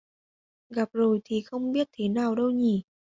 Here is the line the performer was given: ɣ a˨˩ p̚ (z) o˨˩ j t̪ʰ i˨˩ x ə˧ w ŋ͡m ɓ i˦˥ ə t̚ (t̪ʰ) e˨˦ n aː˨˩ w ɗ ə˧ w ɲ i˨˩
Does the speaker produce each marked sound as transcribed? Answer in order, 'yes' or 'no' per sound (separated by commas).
yes, yes